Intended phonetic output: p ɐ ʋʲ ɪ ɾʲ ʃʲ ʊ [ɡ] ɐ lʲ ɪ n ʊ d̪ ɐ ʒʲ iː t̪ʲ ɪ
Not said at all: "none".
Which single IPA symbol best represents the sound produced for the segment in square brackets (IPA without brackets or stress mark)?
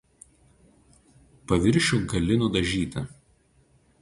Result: ɡ